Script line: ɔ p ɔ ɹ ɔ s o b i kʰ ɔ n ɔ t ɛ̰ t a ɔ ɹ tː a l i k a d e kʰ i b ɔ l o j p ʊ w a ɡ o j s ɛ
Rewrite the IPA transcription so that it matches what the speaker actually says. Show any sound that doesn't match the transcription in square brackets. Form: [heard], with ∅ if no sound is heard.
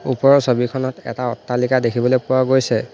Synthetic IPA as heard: [u] p ɔ ɹ ɔ s o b i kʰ ɔ n ɔ t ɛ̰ t a ɔ [∅] tː a l i k a d e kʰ i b ɔ l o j p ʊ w a ɡ o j s ɛ